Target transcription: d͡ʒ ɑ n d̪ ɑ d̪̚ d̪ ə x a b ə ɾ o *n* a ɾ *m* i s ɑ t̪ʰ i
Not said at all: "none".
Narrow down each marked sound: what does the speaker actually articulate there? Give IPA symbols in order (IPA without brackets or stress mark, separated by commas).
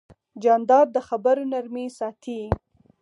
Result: n, m